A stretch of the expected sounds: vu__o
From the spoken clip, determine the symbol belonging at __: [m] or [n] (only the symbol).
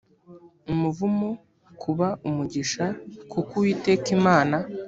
m